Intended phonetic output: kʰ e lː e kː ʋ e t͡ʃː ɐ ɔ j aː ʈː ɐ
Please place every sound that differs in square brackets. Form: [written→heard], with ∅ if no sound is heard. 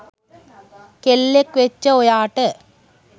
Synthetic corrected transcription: [kʰ→k] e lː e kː ʋ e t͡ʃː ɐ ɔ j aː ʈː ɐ